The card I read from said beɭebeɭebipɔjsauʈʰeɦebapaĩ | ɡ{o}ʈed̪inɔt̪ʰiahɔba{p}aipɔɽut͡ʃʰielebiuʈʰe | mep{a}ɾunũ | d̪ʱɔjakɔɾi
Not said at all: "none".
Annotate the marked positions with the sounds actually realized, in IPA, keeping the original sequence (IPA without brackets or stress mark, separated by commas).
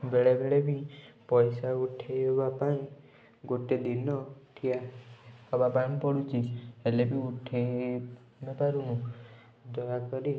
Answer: o, p, a